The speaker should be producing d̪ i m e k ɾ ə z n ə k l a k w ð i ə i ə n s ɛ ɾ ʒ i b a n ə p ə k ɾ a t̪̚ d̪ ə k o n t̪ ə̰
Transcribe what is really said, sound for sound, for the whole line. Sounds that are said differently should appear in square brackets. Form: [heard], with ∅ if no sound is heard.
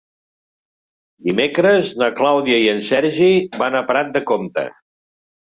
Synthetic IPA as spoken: d̪ i m e k ɾ ə z n ə k l a [∅] w ð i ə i ə n s ɛ ɾ ʒ i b a n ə p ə [∅] ɾ a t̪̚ d̪ ə k o [m] t̪ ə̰